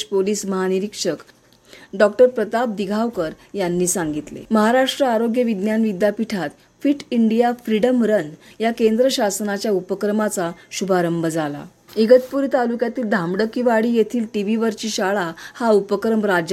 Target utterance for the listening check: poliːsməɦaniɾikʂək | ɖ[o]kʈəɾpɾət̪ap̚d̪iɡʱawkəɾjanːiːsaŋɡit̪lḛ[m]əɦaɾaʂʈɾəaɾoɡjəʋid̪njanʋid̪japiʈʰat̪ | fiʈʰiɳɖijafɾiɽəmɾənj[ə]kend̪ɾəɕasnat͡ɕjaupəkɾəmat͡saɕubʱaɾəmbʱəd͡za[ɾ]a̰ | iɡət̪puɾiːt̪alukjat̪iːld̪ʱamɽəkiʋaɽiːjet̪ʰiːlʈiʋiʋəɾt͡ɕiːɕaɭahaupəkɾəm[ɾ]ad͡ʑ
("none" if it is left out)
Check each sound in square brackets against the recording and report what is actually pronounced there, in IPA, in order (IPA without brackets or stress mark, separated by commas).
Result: ɔ, m, a, l, ɾ